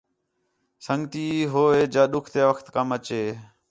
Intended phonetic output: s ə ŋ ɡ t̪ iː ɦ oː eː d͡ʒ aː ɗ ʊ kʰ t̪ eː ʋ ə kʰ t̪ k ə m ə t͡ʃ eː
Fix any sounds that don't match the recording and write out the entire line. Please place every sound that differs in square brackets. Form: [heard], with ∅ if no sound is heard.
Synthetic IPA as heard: s ə ŋ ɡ t̪ iː ɦ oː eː d͡ʒ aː ɗ ʊ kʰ t̪ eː ʋ ə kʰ t̪ k ə m ə t͡ʃ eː